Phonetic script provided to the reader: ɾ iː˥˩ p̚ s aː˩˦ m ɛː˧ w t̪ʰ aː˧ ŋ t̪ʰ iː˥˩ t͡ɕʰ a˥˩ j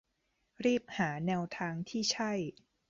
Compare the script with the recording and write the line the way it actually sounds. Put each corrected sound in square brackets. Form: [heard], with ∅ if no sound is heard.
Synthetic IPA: ɾ iː˥˩ p̚ [h] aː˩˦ [n] ɛː˧ w t̪ʰ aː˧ ŋ t̪ʰ iː˥˩ t͡ɕʰ a˥˩ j

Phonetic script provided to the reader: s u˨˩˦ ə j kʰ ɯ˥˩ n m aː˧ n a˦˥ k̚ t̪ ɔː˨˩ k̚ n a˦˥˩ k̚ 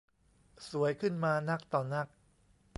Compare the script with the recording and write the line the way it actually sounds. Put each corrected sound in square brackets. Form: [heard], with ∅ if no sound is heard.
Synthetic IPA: s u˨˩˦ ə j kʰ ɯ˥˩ n m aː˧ n a˦˥ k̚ t̪ ɔː˨˩ [∅] n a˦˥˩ k̚

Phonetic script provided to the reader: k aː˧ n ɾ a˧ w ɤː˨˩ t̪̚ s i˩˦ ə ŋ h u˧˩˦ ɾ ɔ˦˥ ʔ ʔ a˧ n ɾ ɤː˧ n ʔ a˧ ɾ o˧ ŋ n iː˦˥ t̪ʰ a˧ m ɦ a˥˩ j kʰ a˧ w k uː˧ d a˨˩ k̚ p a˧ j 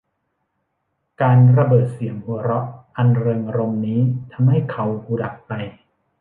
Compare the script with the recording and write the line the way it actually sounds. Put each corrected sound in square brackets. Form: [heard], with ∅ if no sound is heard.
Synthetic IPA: k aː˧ n ɾ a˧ [b] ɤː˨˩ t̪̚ s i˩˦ ə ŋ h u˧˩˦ ɾ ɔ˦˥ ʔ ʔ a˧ n ɾ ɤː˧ [ŋ] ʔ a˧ ɾ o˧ [m] n iː˦˥ t̪ʰ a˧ m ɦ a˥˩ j kʰ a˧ w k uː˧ d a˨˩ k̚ p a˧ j

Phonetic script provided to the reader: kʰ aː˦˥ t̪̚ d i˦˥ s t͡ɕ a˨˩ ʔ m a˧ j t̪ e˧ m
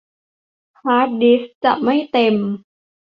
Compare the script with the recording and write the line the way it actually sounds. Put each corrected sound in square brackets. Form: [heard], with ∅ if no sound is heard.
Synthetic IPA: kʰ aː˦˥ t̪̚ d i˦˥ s t͡ɕ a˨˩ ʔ m [a˥˩] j t̪ e˧ m

